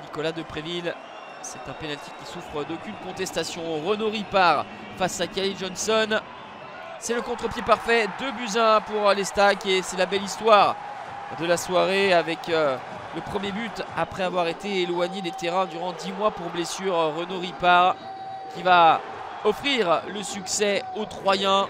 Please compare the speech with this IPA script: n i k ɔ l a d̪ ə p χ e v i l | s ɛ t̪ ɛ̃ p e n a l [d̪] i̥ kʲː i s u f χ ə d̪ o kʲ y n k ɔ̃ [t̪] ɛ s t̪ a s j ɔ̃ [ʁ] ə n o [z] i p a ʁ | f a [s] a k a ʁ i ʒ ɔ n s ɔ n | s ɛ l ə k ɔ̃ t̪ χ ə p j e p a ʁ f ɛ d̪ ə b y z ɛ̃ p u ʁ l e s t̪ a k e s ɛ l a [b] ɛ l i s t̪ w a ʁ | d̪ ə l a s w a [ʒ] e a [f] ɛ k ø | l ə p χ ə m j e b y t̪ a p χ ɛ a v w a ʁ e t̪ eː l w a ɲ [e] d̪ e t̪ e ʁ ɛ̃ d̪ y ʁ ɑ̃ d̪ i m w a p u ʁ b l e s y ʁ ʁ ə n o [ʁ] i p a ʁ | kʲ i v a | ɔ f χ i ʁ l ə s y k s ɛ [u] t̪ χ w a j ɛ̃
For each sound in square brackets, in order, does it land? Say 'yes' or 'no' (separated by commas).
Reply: no, yes, yes, no, yes, yes, no, no, yes, yes, no